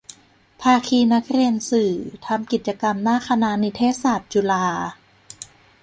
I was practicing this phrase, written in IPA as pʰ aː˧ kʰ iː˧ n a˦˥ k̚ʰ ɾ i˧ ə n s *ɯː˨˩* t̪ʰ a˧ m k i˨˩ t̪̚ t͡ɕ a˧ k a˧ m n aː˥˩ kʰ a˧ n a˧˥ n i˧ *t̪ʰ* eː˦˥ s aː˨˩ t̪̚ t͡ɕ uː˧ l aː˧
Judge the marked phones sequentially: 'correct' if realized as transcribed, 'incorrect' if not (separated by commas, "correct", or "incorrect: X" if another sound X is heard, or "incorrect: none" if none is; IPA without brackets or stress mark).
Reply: correct, correct